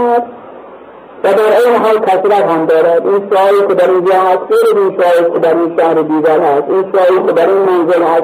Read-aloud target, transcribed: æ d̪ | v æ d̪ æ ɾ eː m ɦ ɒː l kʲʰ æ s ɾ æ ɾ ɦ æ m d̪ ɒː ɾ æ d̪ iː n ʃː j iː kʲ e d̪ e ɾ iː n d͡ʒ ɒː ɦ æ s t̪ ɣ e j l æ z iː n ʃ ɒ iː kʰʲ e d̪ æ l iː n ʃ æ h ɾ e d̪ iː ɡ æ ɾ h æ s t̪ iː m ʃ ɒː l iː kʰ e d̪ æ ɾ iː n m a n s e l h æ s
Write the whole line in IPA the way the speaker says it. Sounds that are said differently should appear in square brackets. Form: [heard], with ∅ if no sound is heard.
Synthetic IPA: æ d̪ | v æ d̪ æ ɾ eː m ɦ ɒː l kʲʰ æ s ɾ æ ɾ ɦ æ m d̪ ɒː ɾ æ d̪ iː n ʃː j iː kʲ e d̪ [æ] ɾ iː n d͡ʒ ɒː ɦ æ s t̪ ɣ e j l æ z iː n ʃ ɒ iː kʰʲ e d̪ æ [ɾ] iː n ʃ æ h ɾ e d̪ iː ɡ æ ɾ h æ s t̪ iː [n] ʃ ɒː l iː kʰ e d̪ æ ɾ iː n m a n [z] e l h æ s